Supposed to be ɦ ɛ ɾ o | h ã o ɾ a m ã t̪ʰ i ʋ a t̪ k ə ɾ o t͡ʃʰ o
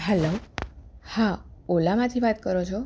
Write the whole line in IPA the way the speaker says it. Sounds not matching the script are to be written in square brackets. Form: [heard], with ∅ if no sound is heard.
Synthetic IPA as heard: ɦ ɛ [l] o | h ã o [l] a m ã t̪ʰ i ʋ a t̪ k ə ɾ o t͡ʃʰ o